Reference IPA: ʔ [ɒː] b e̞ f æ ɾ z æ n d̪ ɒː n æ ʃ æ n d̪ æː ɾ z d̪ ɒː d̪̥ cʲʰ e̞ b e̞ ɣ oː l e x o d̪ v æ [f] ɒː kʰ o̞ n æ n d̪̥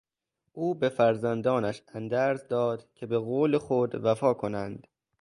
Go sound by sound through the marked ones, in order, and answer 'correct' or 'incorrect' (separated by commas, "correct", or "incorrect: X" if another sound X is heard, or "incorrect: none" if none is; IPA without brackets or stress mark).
incorrect: uː, correct